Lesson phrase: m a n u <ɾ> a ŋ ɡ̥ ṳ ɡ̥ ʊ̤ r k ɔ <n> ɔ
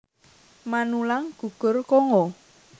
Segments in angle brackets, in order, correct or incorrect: incorrect: l, incorrect: ŋ

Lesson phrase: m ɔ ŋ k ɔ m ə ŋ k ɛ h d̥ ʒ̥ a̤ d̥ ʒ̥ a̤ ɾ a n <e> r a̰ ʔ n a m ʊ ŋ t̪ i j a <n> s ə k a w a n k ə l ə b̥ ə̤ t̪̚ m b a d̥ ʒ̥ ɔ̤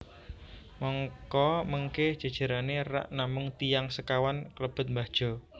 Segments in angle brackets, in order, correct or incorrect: correct, incorrect: ŋ

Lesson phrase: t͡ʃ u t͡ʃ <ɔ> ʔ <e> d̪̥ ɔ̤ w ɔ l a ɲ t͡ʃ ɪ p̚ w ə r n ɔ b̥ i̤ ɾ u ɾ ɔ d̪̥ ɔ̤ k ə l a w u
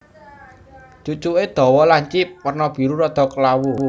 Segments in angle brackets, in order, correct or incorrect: incorrect: u, correct

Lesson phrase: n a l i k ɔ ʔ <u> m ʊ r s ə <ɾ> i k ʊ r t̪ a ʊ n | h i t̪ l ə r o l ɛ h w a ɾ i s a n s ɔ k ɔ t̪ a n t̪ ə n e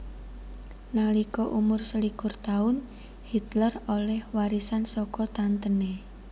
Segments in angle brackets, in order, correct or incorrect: correct, incorrect: l

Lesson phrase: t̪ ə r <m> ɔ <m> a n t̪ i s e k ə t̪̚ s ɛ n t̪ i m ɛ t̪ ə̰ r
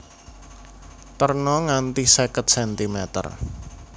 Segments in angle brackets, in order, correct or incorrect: incorrect: n, incorrect: ŋ

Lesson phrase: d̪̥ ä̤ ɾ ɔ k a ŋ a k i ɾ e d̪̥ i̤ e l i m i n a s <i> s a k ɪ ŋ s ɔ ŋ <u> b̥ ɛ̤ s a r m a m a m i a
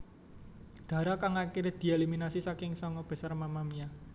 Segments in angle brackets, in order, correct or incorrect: correct, incorrect: ɔ

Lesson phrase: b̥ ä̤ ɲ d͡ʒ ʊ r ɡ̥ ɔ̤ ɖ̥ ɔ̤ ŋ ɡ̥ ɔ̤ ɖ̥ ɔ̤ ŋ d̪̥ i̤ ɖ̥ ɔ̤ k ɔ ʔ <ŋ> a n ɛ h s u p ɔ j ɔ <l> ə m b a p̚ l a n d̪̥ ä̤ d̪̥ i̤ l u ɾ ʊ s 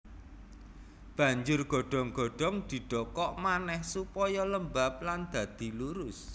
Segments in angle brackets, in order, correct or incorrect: incorrect: m, correct

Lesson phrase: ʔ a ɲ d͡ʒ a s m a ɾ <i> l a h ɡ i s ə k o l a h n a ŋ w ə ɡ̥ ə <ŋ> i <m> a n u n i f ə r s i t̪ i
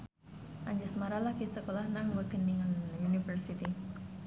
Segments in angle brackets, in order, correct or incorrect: incorrect: a, incorrect: n, incorrect: ŋ

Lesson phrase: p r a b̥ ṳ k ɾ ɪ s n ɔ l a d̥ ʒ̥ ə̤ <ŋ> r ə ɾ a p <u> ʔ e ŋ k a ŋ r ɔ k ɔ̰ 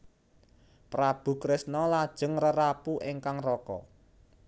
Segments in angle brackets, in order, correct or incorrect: correct, correct

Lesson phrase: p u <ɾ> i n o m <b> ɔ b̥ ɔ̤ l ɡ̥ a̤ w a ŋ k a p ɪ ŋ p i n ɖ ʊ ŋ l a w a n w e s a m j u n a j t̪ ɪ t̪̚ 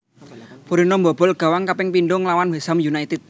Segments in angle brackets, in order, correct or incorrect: correct, correct

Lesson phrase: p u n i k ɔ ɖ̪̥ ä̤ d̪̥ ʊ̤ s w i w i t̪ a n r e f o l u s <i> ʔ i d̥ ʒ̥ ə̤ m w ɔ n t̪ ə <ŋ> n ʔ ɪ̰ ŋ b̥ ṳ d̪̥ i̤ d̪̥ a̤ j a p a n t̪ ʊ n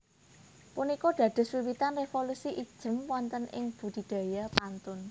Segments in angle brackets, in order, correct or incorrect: correct, incorrect: none

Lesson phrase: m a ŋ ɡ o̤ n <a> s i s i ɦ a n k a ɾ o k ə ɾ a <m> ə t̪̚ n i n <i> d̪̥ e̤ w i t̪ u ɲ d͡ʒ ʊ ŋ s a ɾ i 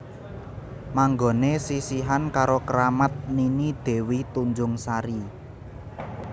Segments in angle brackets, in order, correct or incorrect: incorrect: e, correct, correct

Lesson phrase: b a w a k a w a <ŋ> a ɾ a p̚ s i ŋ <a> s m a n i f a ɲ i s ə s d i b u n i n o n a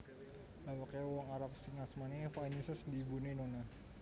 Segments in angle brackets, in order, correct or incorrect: correct, correct

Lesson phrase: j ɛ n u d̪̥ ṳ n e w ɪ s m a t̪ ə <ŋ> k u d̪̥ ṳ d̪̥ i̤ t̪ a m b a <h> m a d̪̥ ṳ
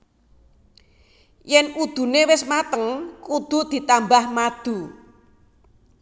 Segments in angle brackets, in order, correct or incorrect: correct, correct

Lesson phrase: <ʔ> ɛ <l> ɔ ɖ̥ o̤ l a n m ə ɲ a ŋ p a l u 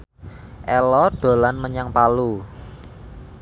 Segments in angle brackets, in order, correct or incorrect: correct, correct

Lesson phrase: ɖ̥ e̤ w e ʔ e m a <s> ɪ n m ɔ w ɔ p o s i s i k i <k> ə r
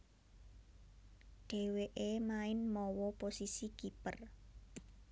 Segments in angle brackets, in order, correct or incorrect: incorrect: none, incorrect: p

